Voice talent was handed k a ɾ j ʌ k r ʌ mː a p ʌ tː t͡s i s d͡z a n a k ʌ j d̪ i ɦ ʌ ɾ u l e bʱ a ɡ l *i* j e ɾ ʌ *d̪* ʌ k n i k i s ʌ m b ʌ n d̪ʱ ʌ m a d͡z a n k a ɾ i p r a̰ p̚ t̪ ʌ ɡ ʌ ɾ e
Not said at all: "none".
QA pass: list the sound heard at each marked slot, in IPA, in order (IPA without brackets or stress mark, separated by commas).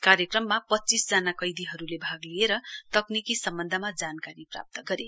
i, t̪